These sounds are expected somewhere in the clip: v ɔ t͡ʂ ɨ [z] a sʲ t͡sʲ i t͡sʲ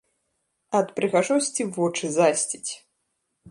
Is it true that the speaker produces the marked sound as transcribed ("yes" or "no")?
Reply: yes